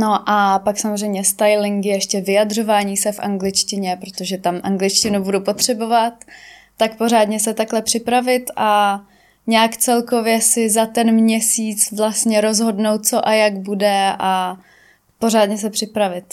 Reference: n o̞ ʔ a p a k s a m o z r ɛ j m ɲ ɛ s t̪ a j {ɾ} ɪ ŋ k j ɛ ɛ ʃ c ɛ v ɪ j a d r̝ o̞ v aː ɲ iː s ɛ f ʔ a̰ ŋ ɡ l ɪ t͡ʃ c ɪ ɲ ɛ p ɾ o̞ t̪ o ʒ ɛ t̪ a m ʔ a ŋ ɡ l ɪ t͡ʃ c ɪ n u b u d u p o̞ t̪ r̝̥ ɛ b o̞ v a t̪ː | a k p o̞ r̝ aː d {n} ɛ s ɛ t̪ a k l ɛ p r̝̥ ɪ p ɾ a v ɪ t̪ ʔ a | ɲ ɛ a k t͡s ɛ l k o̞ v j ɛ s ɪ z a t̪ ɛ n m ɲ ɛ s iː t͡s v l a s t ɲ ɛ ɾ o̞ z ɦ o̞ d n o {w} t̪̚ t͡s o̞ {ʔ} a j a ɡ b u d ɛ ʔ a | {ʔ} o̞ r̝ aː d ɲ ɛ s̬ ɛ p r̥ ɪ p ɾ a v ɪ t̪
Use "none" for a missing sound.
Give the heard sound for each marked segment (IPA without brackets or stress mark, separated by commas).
l, ɲ, w, ʔ, p